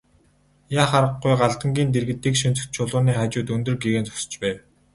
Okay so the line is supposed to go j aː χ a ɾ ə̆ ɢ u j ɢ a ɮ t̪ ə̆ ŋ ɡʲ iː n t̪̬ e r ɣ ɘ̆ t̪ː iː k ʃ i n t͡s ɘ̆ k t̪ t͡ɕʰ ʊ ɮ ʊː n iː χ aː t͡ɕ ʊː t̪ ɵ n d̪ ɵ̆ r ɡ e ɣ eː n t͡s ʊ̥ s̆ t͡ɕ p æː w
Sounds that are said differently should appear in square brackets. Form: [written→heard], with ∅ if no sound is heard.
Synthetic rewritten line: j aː χ a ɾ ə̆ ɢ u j ɢ a ɮ t̪ ə̆ ŋ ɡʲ iː n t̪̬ e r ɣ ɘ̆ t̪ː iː k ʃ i n t͡s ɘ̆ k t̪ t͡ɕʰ ʊ ɮ ʊː n iː χ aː t͡ɕ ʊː t̪ ɵ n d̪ ɵ̆ r ɡ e ɣ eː n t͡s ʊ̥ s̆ t͡ɕ p æː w